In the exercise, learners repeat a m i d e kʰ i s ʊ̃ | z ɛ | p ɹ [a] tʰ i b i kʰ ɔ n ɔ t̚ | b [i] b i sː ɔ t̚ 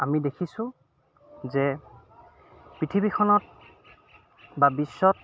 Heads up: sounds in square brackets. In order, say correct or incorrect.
incorrect: i, incorrect: a

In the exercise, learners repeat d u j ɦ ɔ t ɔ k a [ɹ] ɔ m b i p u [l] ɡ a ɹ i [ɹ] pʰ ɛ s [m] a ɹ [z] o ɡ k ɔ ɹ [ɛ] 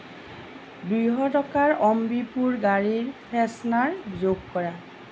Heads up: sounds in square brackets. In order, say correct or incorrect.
correct, incorrect: ɹ, correct, incorrect: n, correct, incorrect: a

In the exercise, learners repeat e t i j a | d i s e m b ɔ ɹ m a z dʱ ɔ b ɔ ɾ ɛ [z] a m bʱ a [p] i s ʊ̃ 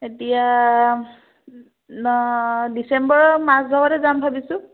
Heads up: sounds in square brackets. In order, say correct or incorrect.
correct, incorrect: b

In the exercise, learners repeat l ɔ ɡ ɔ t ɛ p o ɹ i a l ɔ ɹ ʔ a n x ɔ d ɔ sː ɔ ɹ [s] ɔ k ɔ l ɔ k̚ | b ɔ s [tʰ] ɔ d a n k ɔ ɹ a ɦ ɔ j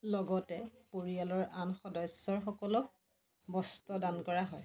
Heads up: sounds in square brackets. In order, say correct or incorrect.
incorrect: x, incorrect: t

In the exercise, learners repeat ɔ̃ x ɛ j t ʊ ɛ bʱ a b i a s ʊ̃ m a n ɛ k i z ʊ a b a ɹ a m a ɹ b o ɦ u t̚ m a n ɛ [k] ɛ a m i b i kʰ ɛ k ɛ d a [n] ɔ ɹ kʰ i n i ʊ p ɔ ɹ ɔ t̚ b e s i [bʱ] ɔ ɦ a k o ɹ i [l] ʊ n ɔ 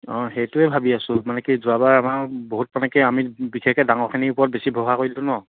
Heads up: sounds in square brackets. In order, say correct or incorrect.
correct, incorrect: ŋ, correct, correct

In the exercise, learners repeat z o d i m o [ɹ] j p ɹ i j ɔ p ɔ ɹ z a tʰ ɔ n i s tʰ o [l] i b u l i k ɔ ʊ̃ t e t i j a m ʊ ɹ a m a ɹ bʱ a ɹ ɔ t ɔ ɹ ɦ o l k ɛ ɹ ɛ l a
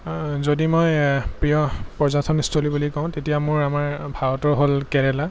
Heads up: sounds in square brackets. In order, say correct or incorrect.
incorrect: none, correct

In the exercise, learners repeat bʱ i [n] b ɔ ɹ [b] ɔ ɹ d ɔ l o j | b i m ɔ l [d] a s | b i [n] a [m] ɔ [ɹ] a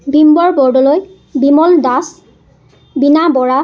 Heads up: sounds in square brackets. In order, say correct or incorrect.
incorrect: m, correct, correct, correct, incorrect: b, correct

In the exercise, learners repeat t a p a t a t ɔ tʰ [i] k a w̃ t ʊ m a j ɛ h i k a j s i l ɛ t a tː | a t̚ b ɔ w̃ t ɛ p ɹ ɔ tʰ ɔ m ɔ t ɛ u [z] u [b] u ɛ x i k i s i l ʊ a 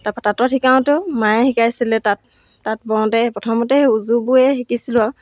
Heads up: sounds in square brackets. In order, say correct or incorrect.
correct, correct, correct

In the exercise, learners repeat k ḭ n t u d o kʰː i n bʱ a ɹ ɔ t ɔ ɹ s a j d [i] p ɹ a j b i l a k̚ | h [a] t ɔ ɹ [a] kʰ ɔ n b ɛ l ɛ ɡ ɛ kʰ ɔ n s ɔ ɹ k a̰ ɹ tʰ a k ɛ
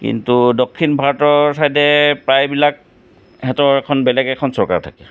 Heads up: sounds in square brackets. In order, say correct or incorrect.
incorrect: ɛ, incorrect: ɛ, incorrect: ɛ

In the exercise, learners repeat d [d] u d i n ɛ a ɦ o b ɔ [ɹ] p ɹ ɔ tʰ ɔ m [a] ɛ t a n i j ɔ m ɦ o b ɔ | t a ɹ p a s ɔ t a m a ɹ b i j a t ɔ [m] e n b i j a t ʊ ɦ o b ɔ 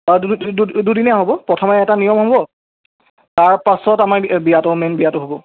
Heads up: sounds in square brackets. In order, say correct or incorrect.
correct, incorrect: none, incorrect: ɛ, correct

